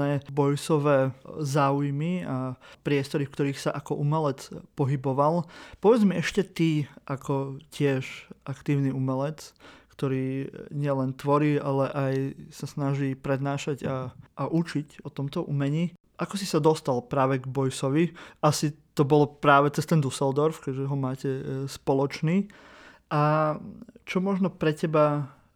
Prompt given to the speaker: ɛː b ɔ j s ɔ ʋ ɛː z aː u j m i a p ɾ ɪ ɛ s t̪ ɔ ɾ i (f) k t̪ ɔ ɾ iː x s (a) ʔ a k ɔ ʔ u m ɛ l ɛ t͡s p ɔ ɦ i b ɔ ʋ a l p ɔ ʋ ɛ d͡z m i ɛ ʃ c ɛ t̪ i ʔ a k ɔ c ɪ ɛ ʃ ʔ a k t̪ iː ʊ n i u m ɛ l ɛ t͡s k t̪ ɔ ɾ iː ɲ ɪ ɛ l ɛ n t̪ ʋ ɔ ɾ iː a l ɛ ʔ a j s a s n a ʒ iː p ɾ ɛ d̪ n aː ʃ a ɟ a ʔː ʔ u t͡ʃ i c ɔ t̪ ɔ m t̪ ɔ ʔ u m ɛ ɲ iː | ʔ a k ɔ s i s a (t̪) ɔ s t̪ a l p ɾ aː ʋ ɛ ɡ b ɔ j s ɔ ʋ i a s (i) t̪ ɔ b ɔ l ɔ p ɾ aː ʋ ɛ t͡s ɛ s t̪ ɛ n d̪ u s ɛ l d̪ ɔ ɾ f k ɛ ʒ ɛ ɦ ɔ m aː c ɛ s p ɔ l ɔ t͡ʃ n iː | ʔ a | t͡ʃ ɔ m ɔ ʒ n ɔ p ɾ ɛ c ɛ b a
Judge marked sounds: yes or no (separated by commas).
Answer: yes, yes, no, yes